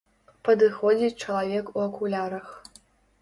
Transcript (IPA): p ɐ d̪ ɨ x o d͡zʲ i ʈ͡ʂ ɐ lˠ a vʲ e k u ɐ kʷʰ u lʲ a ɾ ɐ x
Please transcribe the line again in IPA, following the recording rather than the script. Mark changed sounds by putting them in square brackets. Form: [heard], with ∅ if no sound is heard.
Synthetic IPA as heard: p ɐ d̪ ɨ x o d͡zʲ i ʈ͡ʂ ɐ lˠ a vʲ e k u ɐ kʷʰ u lʲ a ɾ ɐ x